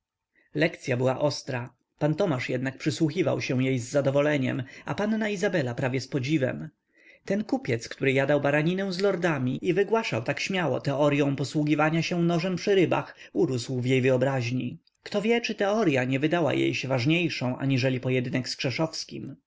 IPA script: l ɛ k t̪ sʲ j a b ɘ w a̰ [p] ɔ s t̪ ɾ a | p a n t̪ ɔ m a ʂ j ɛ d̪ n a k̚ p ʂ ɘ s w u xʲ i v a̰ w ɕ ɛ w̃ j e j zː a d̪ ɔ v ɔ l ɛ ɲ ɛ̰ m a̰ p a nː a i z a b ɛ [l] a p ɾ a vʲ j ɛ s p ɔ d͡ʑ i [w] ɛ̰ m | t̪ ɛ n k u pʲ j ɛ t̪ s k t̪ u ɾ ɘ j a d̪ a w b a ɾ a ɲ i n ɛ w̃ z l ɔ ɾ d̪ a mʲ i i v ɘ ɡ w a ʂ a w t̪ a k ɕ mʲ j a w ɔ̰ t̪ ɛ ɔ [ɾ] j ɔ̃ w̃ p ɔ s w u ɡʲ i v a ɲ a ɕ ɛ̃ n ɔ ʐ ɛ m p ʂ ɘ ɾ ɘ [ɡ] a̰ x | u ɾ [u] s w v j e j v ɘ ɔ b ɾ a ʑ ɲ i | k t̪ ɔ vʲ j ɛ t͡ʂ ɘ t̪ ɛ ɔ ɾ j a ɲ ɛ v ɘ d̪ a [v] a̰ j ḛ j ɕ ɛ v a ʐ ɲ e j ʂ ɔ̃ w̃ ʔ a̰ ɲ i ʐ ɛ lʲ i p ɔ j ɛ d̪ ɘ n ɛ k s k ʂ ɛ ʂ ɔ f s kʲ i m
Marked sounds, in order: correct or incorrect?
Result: incorrect, correct, incorrect, correct, incorrect, correct, incorrect

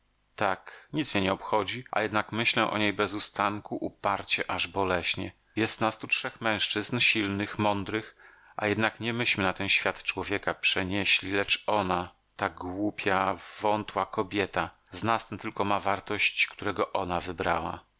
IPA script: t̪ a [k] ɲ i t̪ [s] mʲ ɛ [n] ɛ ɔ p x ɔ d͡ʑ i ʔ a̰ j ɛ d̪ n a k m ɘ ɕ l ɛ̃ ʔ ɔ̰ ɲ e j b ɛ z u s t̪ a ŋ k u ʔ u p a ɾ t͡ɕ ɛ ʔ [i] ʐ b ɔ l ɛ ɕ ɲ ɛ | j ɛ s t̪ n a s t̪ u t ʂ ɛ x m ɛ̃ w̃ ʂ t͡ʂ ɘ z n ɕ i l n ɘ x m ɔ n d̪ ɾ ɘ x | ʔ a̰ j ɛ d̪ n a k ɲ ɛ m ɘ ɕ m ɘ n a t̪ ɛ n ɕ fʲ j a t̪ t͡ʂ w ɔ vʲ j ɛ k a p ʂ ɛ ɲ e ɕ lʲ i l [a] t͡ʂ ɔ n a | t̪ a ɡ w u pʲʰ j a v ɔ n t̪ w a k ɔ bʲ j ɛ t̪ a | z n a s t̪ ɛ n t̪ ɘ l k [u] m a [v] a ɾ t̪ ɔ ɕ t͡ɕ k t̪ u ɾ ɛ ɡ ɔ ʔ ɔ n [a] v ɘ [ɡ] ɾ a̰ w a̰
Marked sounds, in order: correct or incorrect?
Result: correct, correct, incorrect, incorrect, incorrect, incorrect, correct, correct, incorrect

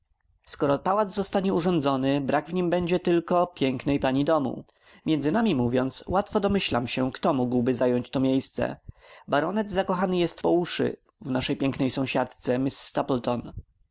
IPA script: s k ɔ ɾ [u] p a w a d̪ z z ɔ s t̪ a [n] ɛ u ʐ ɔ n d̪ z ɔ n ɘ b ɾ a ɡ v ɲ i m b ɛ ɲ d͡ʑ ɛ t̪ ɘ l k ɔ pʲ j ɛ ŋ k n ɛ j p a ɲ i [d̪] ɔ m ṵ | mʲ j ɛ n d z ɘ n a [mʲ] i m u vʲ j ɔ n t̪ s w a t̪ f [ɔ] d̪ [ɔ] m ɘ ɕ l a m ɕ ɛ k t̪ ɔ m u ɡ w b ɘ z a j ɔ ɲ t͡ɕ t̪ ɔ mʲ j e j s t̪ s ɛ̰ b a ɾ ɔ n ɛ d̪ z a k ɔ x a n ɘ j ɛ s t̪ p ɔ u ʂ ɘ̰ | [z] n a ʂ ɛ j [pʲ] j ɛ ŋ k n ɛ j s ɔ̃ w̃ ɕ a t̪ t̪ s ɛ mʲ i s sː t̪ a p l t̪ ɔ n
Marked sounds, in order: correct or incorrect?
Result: incorrect, incorrect, correct, correct, correct, correct, incorrect, correct

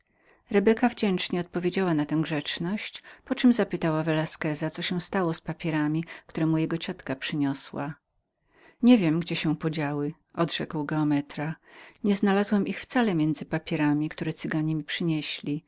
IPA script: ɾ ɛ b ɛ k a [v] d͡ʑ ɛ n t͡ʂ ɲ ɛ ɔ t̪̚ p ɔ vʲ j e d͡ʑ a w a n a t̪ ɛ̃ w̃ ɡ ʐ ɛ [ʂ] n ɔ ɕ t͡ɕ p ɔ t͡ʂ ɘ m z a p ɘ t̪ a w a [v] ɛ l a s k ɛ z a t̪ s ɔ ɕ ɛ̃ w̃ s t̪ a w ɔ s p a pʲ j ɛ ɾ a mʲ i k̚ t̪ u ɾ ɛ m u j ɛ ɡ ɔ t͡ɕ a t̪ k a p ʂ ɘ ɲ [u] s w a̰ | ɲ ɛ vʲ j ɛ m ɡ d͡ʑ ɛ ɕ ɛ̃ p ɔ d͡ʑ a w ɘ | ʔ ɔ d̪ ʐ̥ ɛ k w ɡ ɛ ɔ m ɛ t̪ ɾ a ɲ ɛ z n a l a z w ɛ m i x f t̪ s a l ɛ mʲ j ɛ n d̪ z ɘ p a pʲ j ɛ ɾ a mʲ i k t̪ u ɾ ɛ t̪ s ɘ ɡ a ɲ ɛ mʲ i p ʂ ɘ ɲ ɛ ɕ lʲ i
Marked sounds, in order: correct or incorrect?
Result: correct, incorrect, correct, incorrect

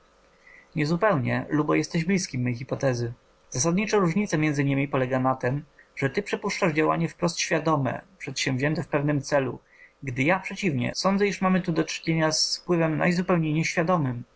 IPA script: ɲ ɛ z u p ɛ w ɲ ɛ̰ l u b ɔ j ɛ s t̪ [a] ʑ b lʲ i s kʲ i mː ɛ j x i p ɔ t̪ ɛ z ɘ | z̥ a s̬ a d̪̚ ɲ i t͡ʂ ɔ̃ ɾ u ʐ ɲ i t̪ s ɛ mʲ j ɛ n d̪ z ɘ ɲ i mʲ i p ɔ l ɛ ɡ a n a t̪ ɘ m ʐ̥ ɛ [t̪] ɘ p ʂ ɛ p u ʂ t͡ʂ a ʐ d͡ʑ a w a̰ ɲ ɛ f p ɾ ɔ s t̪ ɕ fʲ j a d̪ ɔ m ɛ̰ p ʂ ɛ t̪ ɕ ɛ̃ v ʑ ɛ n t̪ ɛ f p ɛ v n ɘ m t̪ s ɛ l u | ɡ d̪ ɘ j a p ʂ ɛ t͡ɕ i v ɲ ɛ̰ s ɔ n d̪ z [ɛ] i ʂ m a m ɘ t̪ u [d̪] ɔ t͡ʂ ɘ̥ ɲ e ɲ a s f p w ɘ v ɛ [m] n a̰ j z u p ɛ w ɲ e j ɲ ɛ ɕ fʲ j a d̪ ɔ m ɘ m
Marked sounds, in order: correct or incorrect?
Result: incorrect, correct, correct, correct, correct

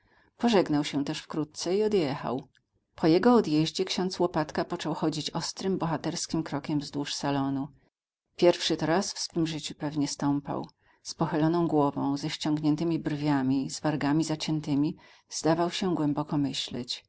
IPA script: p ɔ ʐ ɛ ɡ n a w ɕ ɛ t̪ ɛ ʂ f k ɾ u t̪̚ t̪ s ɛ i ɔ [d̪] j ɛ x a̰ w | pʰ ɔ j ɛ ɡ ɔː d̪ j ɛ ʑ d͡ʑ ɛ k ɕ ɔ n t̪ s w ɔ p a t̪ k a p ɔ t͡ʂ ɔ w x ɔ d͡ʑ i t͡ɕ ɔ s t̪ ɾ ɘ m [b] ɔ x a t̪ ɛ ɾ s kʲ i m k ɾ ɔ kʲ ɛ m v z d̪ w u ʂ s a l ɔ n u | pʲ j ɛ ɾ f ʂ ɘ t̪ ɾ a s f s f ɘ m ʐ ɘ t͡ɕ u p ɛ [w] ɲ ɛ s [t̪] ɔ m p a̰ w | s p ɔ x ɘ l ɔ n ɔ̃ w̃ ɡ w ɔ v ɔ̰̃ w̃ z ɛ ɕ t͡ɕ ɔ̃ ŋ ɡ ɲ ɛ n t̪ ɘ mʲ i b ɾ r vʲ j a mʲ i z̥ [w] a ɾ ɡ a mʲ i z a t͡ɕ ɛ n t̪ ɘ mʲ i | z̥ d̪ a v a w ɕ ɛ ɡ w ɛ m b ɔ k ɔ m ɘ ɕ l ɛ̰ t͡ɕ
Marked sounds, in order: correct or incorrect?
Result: correct, correct, incorrect, correct, incorrect

